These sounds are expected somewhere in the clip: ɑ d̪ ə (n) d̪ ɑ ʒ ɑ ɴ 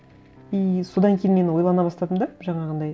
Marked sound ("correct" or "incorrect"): incorrect